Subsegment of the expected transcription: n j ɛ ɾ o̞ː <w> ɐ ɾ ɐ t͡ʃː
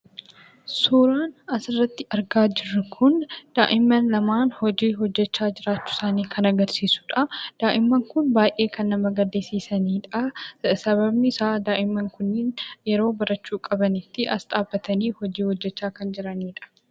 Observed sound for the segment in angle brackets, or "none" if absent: b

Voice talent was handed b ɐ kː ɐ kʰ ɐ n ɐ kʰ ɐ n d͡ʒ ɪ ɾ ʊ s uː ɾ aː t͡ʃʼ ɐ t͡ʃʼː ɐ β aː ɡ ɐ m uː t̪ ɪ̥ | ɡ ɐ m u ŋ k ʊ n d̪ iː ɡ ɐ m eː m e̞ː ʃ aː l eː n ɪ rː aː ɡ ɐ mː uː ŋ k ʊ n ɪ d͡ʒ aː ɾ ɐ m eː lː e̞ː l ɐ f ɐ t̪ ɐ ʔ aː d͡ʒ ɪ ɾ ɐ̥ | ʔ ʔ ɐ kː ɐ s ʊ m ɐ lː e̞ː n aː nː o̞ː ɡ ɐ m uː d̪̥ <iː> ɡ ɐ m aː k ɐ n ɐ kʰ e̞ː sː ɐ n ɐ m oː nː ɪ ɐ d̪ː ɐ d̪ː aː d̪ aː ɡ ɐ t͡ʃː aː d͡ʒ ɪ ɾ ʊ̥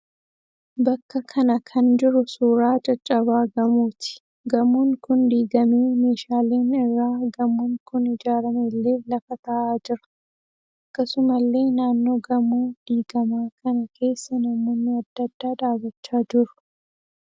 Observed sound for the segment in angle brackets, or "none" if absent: iː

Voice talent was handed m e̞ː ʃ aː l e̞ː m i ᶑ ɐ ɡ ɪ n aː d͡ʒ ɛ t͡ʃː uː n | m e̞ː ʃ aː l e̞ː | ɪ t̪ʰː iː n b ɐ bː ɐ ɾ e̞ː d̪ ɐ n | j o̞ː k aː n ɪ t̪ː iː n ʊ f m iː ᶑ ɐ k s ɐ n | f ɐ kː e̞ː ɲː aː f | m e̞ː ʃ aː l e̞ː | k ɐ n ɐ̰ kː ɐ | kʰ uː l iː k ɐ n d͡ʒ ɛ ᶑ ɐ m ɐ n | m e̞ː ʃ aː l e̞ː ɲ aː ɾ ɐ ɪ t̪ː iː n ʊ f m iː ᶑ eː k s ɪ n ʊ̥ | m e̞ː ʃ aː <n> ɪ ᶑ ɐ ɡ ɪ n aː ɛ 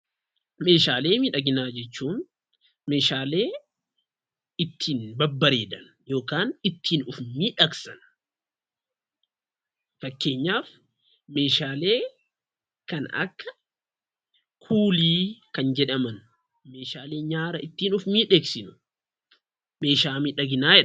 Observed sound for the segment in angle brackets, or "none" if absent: m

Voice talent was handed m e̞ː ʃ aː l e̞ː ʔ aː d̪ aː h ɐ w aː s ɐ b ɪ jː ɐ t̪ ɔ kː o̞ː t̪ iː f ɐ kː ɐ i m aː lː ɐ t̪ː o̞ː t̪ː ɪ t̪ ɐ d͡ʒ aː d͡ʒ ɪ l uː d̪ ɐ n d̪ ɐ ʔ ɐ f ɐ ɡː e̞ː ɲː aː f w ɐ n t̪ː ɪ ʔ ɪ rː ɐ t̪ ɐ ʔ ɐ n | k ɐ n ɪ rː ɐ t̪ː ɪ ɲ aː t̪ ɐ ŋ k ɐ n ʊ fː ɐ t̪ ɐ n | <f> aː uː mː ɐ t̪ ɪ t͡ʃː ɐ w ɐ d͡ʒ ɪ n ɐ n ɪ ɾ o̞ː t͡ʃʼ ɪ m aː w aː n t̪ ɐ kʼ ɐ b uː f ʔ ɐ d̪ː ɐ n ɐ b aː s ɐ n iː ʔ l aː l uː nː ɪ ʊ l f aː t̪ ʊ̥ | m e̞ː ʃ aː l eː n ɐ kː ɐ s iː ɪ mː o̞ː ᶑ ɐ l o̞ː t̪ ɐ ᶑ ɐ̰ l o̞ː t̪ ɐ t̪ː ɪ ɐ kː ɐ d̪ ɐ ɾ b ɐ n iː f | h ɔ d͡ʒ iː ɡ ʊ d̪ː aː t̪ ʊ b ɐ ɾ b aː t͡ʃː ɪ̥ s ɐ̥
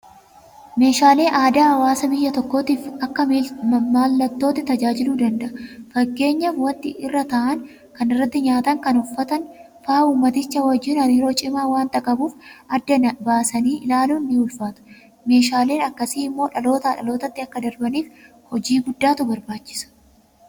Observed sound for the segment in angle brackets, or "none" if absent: f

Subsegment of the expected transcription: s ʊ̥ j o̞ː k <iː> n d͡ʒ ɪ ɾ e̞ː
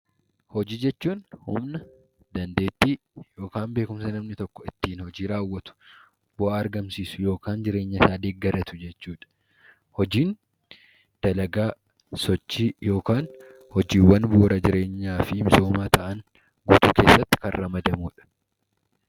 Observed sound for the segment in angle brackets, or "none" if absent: aː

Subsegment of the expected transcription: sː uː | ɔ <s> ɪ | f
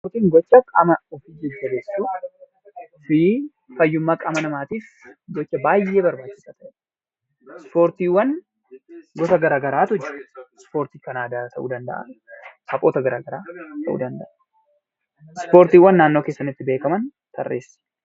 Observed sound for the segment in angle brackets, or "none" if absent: f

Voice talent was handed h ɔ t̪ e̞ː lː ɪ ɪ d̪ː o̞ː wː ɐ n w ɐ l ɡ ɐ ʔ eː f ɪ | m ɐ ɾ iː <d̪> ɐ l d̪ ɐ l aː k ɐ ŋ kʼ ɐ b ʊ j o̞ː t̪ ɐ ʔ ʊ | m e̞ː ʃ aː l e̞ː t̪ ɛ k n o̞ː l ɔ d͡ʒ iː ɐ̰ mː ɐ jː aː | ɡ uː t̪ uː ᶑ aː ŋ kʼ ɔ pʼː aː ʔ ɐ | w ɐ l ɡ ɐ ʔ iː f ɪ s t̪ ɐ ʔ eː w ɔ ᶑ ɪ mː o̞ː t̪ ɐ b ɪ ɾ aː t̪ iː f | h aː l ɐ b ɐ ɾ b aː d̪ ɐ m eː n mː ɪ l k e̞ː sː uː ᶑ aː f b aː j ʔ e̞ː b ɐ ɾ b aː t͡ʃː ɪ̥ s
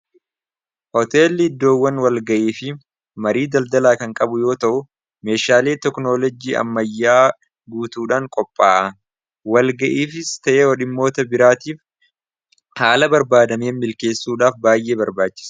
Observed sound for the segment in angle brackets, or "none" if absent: d̪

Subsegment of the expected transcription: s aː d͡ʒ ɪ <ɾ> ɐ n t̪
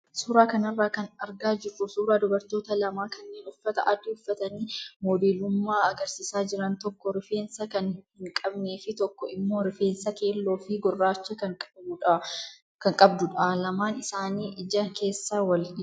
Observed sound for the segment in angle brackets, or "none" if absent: ɾ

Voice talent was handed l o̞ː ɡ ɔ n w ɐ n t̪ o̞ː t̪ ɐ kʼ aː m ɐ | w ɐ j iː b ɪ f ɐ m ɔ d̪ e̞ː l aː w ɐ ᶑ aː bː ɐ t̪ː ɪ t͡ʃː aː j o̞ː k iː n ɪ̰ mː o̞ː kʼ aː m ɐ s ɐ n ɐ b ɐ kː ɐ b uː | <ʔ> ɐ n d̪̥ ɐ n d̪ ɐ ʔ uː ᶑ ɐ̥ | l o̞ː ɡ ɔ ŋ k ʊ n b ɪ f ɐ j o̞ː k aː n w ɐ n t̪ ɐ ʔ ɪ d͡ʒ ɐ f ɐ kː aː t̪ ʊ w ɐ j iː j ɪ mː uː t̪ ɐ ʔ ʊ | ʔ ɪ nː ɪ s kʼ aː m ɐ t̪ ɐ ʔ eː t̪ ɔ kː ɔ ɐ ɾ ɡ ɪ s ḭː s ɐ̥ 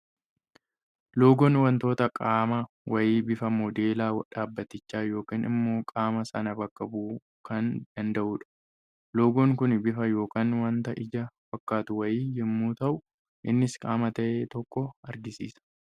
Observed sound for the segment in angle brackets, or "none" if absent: k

